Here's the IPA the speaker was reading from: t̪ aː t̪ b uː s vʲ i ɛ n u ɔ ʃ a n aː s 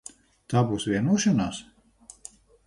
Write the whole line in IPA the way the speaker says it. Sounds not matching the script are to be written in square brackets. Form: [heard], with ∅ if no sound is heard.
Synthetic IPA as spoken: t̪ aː [∅] b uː s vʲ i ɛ n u ɔ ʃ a n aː s